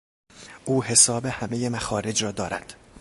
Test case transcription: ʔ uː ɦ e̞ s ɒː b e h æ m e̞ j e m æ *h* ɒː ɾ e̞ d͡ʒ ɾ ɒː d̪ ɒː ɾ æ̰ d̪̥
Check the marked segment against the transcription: incorrect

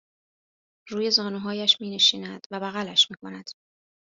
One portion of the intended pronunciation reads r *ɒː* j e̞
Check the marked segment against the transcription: incorrect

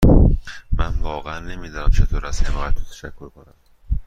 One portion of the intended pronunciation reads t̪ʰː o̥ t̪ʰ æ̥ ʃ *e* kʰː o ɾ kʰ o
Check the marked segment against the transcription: incorrect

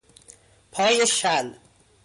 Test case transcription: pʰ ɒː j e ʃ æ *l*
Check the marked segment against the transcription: correct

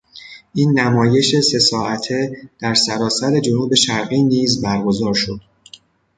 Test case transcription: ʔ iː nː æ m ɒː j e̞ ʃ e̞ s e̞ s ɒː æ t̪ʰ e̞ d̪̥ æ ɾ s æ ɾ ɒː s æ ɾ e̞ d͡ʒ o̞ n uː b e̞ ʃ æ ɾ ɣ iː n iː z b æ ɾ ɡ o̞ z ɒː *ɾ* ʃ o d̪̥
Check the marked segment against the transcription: correct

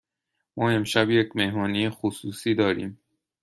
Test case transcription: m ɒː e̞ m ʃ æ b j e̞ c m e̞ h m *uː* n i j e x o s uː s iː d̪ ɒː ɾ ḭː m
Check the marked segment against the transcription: incorrect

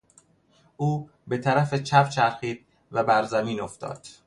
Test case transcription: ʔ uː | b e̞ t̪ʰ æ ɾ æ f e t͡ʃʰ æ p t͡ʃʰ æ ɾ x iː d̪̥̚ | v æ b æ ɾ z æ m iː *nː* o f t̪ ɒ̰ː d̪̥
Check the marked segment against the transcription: incorrect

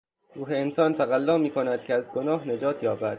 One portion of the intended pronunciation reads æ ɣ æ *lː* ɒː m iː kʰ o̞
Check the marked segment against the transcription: correct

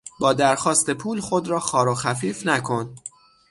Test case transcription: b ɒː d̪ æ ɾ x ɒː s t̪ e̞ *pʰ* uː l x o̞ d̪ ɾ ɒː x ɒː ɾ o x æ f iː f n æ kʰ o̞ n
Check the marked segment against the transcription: correct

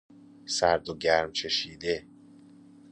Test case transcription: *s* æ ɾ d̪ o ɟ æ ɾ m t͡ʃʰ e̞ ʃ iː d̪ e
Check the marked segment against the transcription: correct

